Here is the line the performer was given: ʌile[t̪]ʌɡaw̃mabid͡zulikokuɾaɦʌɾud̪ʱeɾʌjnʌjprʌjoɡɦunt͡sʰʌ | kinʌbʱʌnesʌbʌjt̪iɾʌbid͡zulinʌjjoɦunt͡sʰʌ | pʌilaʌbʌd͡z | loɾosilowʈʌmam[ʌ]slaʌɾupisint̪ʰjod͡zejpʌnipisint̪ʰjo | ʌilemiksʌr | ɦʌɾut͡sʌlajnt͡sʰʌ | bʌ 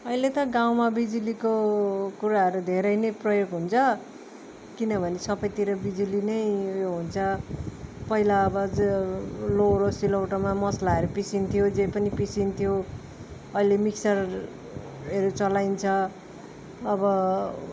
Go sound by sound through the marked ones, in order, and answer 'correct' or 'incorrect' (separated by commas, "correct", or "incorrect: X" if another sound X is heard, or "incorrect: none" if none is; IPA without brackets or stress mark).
correct, correct